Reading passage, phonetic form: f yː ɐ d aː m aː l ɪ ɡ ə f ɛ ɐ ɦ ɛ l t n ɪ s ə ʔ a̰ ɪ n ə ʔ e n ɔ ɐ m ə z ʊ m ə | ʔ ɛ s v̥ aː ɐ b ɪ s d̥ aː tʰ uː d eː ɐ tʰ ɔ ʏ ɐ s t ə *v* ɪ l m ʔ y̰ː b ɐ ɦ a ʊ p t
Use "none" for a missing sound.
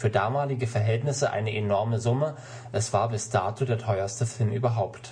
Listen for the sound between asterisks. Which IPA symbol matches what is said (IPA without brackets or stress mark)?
f